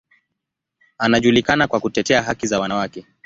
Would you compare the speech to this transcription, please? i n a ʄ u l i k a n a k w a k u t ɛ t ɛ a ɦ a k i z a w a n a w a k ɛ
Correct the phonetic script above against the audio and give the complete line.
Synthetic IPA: a n a ʄ u l i k a n a k w a k u t ɛ t ɛ a ɦ a k i z a w a n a w a k ɛ